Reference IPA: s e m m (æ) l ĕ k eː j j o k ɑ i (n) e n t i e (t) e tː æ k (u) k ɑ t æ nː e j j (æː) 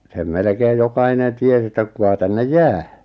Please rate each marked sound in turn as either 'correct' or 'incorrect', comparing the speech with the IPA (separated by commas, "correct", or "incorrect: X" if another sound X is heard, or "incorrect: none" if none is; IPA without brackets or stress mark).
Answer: incorrect: e, correct, incorrect: s, correct, correct